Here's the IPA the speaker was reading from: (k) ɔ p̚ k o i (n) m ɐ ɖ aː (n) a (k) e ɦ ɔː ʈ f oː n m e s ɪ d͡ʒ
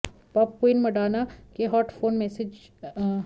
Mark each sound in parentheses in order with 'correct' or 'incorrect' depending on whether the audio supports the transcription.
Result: incorrect, correct, correct, correct

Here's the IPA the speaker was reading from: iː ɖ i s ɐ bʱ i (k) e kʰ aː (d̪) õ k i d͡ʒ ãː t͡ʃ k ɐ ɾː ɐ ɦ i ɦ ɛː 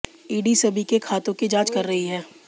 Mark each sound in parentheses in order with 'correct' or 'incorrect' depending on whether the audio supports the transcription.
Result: correct, incorrect

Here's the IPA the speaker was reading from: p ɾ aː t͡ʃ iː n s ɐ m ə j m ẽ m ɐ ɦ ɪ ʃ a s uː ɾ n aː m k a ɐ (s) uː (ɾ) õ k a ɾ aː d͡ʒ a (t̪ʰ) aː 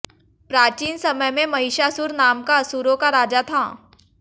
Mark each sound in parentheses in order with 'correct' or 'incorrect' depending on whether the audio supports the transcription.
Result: correct, correct, correct

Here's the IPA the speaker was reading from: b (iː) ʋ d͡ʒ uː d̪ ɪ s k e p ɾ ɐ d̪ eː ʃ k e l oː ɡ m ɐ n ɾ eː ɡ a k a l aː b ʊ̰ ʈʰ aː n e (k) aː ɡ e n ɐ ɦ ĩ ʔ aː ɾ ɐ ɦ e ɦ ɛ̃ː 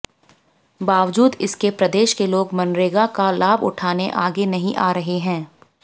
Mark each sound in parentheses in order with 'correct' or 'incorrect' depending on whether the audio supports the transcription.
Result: incorrect, incorrect

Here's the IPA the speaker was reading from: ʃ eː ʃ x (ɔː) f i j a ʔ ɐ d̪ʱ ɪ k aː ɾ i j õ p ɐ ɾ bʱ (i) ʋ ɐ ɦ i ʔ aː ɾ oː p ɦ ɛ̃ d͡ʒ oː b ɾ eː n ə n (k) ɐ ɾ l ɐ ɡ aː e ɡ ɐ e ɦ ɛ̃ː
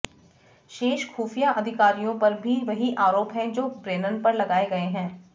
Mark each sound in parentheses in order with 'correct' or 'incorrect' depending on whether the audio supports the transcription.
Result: incorrect, correct, incorrect

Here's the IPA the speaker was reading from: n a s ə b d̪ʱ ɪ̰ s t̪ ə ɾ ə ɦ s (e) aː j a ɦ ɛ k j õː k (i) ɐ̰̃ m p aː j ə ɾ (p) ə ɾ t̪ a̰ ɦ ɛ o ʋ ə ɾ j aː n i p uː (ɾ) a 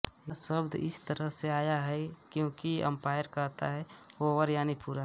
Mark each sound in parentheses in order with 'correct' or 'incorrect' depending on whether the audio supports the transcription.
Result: correct, correct, incorrect, correct

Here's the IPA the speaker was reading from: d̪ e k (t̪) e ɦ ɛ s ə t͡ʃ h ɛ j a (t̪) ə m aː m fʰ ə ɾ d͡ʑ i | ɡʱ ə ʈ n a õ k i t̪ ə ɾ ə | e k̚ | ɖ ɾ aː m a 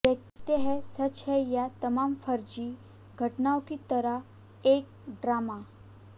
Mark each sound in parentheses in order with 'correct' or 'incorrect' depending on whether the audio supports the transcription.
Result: correct, correct

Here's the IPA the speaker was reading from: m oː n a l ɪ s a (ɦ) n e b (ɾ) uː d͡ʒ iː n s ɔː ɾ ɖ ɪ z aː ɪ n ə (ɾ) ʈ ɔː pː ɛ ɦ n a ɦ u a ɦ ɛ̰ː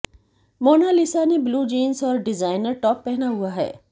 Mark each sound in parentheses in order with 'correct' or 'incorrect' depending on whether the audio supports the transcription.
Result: incorrect, incorrect, correct

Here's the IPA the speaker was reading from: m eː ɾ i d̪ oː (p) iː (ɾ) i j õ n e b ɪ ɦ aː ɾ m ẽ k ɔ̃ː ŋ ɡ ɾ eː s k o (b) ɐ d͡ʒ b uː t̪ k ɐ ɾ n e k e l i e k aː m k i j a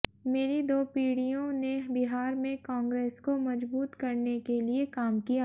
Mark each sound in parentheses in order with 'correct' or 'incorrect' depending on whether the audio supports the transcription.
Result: correct, incorrect, incorrect

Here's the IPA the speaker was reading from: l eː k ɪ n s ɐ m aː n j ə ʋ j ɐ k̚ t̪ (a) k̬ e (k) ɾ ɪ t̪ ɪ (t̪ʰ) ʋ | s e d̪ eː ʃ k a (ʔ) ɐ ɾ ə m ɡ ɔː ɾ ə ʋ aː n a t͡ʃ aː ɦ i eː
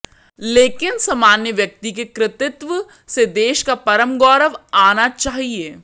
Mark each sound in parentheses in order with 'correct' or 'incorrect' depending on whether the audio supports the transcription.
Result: incorrect, correct, incorrect, incorrect

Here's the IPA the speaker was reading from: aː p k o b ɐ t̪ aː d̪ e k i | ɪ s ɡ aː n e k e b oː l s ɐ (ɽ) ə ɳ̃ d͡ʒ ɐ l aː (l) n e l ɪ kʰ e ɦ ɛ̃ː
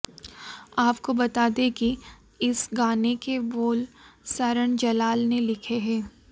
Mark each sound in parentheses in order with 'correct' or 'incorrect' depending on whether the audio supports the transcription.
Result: incorrect, correct

